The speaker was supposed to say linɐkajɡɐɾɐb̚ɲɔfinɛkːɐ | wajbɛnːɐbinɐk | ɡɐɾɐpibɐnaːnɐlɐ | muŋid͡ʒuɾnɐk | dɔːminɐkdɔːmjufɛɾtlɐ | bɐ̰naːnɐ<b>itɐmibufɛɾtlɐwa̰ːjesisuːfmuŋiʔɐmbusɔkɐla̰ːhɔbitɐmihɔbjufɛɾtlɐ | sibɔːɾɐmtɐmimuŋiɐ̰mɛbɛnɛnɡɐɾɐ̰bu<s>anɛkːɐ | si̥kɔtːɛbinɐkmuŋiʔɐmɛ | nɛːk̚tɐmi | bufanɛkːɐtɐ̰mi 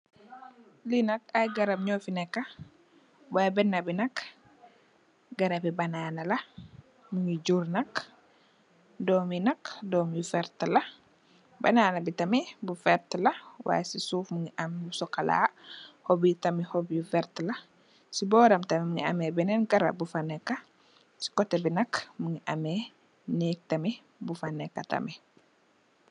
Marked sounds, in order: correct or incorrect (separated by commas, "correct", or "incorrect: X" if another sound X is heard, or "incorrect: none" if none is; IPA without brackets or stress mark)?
correct, incorrect: f